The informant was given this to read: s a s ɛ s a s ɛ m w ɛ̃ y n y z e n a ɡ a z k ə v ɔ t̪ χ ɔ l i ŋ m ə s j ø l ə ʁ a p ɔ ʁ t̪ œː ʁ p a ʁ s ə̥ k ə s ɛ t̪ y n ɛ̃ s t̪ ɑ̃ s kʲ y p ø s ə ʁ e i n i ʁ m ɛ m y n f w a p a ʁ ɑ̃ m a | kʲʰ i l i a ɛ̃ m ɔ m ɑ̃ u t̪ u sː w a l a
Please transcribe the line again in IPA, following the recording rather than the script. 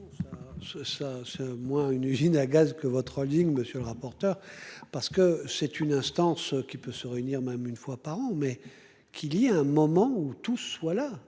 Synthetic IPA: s a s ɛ s a s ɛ m w ɛ̃ y n y z i n a ɡ a z k ə v ɔ t̪ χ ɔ l i ŋ m ə s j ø l ə ʁ a p ɔ ʁ t̪ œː ʁ p a ʁ s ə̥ k ə s ɛ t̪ y n ɛ̃ s t̪ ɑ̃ s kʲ i p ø s ə ʁ e y n i ʁ m ɛ m y n f w a p a ʁ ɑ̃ m ɛ | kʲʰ i l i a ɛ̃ m ɔ m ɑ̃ u t̪ u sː w a l a